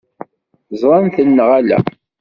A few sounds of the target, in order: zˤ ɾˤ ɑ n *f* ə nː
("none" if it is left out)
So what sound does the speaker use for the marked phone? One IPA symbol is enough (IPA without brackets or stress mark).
θ